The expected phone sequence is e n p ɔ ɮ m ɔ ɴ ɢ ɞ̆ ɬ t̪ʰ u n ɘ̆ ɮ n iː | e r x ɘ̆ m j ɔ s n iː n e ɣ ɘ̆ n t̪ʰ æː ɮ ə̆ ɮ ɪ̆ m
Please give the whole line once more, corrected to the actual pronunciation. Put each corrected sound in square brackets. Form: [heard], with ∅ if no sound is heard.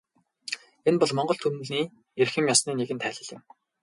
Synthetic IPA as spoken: e n p ɔ ɮ m ɔ ɴ ɢ ɞ̆ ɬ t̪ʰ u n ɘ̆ ɮ n iː | e r x ɘ̆ m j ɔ s n iː n e ɣ ɘ̆ n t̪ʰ æː ɮ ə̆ ɮ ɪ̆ m